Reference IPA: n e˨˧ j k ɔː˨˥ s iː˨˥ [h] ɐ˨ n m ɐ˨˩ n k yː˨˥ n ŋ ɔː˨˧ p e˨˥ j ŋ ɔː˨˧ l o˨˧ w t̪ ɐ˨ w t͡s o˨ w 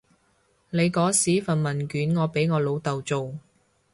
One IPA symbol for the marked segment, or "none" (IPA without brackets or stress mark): f